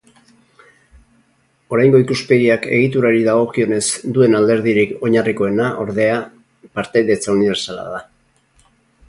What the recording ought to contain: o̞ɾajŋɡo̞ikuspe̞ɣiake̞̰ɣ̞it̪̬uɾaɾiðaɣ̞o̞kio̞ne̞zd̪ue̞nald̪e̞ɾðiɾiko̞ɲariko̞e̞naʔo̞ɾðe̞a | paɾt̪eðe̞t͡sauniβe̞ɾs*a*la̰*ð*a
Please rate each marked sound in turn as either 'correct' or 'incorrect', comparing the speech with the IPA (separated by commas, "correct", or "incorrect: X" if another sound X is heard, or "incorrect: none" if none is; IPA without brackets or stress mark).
correct, correct